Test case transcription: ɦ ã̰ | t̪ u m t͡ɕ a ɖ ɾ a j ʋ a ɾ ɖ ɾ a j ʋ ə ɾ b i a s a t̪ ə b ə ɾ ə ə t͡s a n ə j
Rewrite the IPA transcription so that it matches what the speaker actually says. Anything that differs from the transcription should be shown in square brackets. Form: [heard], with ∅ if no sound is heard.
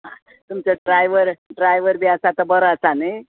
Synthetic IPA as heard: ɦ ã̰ | t̪ u m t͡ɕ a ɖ ɾ a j ʋ [ə] ɾ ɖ ɾ a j ʋ ə ɾ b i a s a t̪ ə b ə ɾ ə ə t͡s a n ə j